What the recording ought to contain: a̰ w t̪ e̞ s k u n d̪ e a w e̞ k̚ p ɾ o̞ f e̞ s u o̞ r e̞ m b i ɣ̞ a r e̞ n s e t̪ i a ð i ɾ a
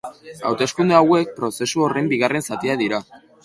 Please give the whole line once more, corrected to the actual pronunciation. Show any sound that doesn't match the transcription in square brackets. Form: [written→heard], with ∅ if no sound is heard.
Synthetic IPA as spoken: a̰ w t̪ e̞ s k u n d̪ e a w e̞ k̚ p ɾ o̞ [f→s] e̞ s u o̞ r e̞ m b i ɣ̞ a r e̞ n s [e→a] t̪ i a ð i ɾ a